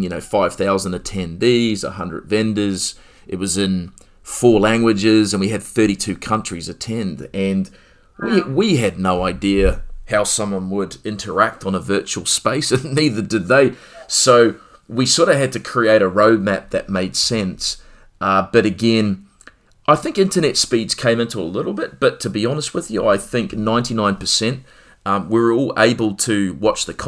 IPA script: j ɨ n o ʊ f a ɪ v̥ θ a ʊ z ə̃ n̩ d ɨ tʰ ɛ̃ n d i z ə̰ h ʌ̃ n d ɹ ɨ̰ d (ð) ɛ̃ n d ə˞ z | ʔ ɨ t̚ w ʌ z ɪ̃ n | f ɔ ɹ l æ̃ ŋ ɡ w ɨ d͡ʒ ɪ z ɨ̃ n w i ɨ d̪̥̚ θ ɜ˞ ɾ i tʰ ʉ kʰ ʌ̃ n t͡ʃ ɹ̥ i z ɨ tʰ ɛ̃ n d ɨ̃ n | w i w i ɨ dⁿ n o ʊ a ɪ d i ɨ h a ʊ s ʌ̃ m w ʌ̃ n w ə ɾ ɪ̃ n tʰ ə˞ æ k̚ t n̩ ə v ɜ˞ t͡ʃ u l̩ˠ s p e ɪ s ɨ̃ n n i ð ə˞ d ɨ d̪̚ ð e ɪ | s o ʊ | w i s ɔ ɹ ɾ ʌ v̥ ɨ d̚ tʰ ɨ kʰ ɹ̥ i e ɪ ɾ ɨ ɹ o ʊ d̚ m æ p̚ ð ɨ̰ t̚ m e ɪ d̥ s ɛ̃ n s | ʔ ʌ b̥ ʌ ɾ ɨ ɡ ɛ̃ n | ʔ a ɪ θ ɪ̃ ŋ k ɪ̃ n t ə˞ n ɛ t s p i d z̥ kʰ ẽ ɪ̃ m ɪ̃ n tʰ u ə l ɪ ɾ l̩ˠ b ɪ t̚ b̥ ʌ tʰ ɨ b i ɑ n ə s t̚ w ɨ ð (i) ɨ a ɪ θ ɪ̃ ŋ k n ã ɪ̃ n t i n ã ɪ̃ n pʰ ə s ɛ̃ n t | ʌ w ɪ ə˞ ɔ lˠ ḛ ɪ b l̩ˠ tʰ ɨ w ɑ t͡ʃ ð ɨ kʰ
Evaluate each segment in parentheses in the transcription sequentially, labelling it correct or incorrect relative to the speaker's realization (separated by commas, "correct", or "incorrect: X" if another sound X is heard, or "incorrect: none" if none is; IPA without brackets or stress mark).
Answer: incorrect: v, incorrect: j